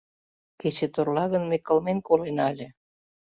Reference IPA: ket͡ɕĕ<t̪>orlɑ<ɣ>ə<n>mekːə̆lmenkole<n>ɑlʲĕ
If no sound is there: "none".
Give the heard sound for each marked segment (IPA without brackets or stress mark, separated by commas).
t̪, ɣ, n, n